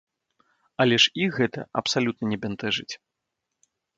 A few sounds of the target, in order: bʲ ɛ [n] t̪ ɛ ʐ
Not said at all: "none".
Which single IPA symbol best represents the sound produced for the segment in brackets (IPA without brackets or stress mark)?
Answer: n